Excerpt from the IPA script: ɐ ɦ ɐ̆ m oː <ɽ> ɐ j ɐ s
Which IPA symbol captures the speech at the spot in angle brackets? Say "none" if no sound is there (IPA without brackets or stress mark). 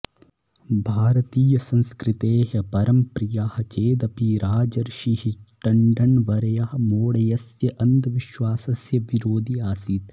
ɽ